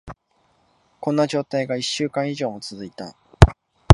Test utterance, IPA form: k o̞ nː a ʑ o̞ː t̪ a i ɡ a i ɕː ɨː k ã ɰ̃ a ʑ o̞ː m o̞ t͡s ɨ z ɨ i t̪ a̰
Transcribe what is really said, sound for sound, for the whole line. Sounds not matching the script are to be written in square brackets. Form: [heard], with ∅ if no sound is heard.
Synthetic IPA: k [õ̞] nː a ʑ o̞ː t̪ a i ɡ a i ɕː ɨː k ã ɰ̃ [i] ʑ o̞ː m o̞ t͡s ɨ z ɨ i t̪ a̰

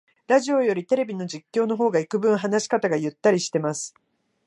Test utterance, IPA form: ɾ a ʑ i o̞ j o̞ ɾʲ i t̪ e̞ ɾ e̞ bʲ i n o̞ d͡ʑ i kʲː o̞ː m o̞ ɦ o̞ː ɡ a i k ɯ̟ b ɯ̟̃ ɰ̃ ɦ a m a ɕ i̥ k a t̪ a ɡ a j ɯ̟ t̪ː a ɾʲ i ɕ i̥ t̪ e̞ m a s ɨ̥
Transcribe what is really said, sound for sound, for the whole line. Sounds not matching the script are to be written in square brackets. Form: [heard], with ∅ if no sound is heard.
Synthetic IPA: ɾ a ʑ i o̞ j o̞ ɾʲ i t̪ e̞ ɾ e̞ bʲ i n o̞ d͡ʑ i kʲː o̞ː [n] o̞ ɦ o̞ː ɡ a i k ɯ̟ b ɯ̟̃ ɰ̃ ɦ a [n] a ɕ i̥ k a t̪ a ɡ a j ɯ̟ t̪ː a ɾʲ i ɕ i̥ t̪ e̞ m a s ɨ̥

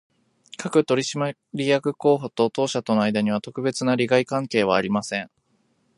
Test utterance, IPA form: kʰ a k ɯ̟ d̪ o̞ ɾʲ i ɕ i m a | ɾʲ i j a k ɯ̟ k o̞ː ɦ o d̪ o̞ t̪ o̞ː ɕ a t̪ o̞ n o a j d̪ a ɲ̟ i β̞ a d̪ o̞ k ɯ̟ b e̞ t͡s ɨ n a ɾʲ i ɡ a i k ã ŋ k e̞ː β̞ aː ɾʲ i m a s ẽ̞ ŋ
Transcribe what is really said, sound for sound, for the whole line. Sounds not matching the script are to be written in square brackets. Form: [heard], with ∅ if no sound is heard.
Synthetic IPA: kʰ a k ɯ̟ [t̪] o̞ ɾʲ i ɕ i m a | ɾʲ i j a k ɯ̟ k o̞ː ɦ o [t̪] o̞ t̪ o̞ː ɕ a t̪ o̞ n o a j d̪ a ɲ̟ i β̞ a [t̪] o̞ k ɯ̟ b e̞ t͡s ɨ n a ɾʲ i ɡ a i k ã ŋ k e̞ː β̞ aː ɾʲ i m a s ẽ̞ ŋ

